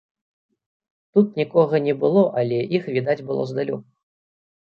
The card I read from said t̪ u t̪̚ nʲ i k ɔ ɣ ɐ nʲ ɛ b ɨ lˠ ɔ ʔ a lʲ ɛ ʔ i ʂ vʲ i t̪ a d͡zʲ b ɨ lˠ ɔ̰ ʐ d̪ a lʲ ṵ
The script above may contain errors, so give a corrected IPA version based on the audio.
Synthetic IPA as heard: t̪ u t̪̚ nʲ i k ɔ ɣ ɐ nʲ ɛ b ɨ lˠ ɔ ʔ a lʲ ɛ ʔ i x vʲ i d̪ a d͡zʲ b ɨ lˠ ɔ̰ z d̪ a lʲ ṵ